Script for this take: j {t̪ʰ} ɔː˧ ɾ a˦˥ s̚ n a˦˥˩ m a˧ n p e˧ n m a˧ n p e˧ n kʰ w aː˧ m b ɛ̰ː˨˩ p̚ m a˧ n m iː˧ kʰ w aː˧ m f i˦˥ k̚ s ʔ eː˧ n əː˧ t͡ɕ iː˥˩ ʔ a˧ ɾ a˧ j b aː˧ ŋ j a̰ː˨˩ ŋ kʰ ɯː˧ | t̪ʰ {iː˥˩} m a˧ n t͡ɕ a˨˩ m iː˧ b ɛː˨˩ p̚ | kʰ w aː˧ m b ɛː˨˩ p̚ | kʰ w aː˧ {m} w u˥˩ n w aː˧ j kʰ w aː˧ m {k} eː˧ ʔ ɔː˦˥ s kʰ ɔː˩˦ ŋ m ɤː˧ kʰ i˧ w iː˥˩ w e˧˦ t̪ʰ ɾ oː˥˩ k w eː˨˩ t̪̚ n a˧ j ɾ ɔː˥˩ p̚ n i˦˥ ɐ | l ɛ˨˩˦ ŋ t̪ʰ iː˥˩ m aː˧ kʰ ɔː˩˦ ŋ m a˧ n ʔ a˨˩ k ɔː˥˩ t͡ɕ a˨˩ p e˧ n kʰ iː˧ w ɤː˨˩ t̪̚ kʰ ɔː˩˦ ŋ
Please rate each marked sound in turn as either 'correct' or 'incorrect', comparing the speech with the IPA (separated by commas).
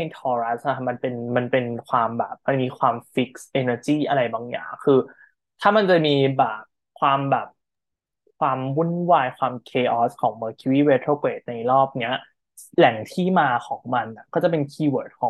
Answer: correct, incorrect, correct, incorrect